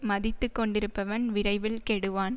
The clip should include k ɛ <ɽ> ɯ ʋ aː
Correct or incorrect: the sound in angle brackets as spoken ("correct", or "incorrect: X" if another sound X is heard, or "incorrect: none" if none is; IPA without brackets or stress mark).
correct